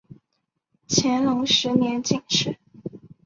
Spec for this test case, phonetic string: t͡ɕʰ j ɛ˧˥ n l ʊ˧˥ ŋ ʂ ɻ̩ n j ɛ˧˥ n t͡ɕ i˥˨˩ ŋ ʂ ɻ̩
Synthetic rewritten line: t͡ɕʰ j ɛ˧˥ n l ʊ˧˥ ŋ ʂ ɻ̩ n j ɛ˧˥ n t͡ɕ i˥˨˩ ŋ ʂ ɻ̩